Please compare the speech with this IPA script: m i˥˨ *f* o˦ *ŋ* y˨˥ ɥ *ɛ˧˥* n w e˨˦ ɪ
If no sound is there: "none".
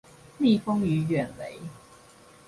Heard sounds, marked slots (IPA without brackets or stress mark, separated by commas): f, ŋ, ɛ˨˩